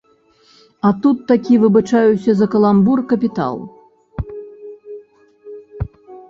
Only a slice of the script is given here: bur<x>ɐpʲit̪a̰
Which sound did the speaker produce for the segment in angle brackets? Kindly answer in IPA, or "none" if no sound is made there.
k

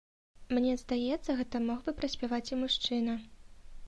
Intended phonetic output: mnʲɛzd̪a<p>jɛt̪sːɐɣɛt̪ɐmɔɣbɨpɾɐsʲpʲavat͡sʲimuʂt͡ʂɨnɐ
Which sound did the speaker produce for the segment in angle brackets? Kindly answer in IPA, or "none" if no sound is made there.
none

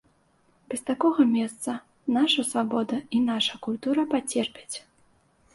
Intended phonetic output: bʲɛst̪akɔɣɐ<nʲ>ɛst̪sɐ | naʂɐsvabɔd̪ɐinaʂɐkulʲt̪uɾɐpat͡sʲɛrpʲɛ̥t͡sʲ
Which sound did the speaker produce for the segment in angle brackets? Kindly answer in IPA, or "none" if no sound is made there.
mʲ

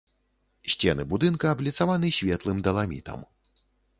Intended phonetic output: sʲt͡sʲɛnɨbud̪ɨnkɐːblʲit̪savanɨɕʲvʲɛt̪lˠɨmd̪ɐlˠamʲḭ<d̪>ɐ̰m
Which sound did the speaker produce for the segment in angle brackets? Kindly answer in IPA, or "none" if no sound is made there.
t̪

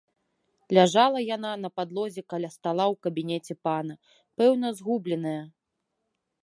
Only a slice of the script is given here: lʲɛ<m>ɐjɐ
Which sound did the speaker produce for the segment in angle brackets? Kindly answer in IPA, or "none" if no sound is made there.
n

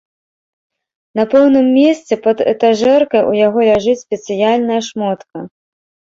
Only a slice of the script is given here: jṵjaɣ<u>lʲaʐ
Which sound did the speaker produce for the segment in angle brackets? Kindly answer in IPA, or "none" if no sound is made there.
ɔ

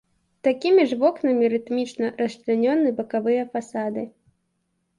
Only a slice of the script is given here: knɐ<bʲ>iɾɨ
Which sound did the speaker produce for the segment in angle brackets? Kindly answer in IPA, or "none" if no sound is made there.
mʲ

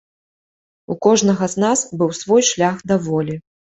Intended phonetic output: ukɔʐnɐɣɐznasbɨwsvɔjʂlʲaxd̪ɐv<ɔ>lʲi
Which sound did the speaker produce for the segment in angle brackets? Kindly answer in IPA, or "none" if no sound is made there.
ɔ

